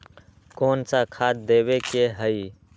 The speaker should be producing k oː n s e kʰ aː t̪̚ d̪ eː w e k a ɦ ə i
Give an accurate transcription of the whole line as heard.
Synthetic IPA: k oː n s a kʰ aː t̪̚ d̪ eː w e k e ɦ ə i